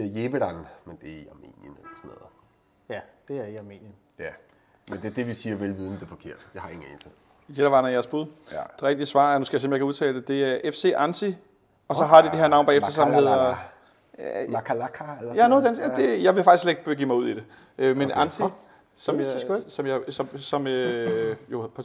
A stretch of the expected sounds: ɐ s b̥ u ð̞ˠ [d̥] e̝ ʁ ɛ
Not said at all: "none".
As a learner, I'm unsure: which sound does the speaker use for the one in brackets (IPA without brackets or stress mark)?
d̥